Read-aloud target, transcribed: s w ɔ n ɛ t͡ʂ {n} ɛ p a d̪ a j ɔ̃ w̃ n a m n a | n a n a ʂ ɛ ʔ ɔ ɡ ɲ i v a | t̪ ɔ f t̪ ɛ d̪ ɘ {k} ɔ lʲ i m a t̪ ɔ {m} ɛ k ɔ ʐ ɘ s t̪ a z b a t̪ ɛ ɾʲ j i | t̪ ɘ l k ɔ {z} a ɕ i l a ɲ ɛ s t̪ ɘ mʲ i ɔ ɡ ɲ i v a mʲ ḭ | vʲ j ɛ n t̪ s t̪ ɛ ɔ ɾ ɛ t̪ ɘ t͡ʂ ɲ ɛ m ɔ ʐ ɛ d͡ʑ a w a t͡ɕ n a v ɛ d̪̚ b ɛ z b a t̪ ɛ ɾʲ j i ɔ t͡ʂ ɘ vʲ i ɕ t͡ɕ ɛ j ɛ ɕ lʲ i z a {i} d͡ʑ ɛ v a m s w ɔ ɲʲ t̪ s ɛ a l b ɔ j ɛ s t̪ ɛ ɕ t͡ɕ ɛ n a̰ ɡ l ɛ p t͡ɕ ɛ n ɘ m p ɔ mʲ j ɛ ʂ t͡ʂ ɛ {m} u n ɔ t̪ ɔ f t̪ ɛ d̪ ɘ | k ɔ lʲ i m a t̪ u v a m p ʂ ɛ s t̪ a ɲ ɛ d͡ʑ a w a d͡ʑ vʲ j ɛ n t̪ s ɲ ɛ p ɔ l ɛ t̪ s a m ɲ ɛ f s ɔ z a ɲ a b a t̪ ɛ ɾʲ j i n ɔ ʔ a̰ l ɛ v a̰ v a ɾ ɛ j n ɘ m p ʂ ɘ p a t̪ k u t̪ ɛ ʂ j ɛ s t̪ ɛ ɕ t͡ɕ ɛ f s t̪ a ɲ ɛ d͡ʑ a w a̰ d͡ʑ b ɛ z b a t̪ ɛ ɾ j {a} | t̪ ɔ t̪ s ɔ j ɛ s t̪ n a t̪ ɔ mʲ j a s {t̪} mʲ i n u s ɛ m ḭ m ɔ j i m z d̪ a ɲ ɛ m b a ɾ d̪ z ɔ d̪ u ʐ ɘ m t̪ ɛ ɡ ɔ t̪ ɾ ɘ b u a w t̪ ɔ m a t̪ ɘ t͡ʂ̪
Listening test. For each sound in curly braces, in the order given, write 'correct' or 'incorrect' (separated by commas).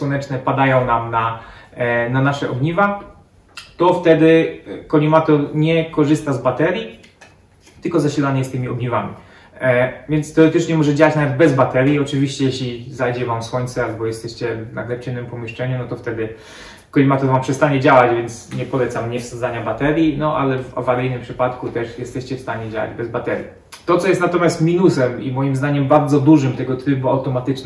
correct, correct, incorrect, correct, incorrect, incorrect, incorrect, correct